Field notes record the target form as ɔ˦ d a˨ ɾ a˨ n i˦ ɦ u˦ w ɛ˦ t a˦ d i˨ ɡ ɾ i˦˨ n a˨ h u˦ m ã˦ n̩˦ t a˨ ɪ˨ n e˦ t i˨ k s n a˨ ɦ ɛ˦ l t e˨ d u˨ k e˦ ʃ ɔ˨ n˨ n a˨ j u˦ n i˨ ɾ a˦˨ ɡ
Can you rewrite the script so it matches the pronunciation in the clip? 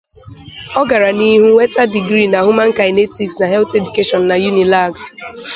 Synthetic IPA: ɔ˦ ɡ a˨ ɾ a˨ n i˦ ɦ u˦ w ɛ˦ t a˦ d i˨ ɡ ɾ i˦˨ n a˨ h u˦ m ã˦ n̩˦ k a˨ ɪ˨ n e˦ t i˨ k s n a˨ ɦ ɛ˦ l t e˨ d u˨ k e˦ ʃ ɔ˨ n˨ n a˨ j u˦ n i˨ l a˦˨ ɡ